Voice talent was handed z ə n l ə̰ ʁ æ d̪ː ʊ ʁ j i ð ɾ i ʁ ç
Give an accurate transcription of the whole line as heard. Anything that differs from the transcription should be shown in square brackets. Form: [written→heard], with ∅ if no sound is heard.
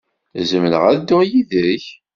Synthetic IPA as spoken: z ə [n→m] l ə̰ ʁ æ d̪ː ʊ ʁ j i ð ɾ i [ʁ→∅] ç